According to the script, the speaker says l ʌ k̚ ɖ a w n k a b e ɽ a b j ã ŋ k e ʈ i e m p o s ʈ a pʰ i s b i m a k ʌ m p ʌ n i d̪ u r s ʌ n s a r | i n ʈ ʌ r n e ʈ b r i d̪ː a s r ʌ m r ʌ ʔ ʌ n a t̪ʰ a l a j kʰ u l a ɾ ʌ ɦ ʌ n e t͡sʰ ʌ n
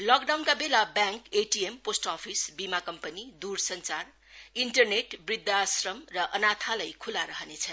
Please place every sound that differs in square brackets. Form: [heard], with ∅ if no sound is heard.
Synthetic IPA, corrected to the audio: l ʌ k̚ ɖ a w n k a b e [l] a b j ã ŋ k e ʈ i e m p o s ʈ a pʰ i s b i m a k ʌ m p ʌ n i d̪ u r s ʌ n [t͡s] a r | i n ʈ ʌ r n e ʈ b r i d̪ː a s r ʌ m r ʌ ʔ ʌ n a t̪ʰ a l a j kʰ u l a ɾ ʌ ɦ ʌ n e t͡sʰ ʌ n